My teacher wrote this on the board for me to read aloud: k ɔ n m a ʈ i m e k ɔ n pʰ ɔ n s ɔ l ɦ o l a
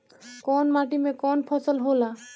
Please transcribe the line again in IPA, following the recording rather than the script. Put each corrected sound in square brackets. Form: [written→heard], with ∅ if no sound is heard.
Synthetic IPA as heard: k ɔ n m a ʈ i m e k ɔ n pʰ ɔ [n→∅] s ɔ l ɦ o l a